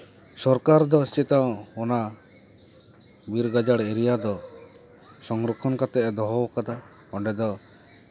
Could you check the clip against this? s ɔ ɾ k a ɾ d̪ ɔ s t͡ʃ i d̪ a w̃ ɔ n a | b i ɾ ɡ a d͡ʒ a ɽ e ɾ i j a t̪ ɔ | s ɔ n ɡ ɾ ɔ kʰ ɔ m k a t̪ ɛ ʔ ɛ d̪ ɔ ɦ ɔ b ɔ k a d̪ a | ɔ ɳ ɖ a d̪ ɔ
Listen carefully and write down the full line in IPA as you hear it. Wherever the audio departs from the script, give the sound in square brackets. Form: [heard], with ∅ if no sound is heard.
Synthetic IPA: s ɔ ɾ k a ɾ d̪ ɔ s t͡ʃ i [t̪] a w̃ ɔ n a | b i ɾ ɡ a d͡ʒ a ɽ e ɾ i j a [d̪] ɔ | s ɔ [ŋ] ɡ ɾ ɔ kʰ ɔ [n] k a t̪ ɛ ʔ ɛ d̪ ɔ ɦ ɔ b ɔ k a d̪ a | ɔ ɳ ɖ [ɛ] d̪ ɔ